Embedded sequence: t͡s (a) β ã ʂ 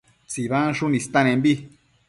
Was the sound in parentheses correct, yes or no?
no